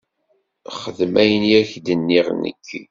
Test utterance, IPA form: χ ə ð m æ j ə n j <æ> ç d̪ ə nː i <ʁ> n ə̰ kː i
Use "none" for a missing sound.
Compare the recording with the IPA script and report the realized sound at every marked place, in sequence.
æ, ʁ

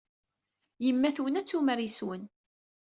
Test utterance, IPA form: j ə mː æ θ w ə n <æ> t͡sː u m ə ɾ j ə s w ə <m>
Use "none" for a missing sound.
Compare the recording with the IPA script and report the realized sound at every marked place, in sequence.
æ, n

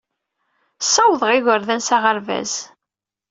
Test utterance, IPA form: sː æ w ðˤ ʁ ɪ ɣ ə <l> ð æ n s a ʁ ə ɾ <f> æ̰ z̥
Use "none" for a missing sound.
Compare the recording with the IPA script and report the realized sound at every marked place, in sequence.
ɾ, v

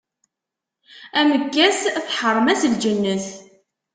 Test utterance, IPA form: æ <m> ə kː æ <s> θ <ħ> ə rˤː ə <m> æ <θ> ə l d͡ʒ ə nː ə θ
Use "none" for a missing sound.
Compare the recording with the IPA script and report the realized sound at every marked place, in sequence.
m, s, ħ, m, s

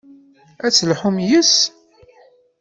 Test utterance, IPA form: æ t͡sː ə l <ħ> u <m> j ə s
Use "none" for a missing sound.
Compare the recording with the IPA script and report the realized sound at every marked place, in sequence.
ħ, m

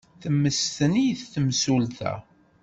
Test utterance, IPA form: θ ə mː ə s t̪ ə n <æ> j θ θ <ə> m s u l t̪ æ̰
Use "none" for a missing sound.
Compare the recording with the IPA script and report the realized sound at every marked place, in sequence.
i, ə

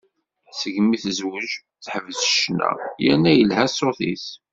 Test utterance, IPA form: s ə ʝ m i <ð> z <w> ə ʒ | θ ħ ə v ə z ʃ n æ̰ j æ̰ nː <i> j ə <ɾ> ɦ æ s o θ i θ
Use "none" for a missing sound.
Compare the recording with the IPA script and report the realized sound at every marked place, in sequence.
θ, w, æ, l

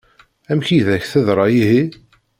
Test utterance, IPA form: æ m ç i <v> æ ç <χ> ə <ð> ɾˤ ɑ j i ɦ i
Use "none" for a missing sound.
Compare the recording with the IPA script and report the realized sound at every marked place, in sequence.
ð, θ, ð

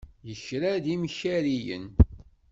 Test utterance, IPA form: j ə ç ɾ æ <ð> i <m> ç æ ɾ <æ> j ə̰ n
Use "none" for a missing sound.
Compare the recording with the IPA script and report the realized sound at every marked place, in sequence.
ð, m, i

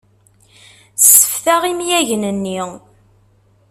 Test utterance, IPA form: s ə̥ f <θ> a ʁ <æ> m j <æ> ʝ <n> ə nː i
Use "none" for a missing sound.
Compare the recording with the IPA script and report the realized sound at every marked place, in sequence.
θ, i, æ, n

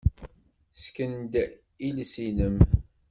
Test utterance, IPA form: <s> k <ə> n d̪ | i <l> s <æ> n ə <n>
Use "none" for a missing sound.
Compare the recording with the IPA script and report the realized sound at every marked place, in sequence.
s, ə, l, i, m

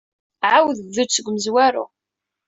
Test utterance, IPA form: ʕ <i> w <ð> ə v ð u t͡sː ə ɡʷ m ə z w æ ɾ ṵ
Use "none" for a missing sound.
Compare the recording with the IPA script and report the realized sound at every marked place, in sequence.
a, ð

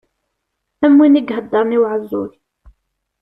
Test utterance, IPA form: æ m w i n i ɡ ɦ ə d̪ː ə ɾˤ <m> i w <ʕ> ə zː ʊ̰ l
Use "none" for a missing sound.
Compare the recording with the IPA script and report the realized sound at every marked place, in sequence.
n, ʕ

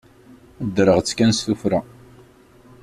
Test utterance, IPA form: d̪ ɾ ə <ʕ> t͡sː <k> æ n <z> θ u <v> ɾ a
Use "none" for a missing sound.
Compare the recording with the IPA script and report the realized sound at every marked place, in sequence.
ʁ, k, s, f

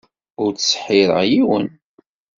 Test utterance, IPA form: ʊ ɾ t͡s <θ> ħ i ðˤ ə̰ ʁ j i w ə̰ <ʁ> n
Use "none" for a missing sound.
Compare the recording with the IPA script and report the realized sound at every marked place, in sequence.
s, none

